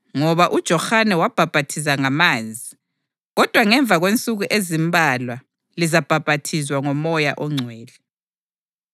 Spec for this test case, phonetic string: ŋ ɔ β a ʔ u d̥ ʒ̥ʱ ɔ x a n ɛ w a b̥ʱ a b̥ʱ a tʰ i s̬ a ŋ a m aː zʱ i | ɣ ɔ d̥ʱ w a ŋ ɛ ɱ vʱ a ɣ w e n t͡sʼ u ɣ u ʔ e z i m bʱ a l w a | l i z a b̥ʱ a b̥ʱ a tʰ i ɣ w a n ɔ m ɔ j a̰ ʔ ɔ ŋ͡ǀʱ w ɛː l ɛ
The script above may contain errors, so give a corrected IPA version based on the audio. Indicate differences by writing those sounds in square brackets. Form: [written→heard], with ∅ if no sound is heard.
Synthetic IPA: ŋ ɔ β a ʔ u d̥ ʒ̥ʱ ɔ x a n ɛ w a b̥ʱ a b̥ʱ a tʰ i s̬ a ŋ a m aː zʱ i | ɣ ɔ d̥ʱ w a ŋ ɛ ɱ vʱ a ɣ w e n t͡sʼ u ɣ u ʔ e z i m bʱ a l w a | l i z a b̥ʱ a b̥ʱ a tʰ i [ɣ→z] w a [n→ŋ] ɔ m ɔ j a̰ ʔ ɔ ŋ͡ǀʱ w ɛː l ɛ